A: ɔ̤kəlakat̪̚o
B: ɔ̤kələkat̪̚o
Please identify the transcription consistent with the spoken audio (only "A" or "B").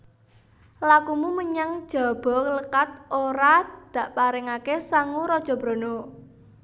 B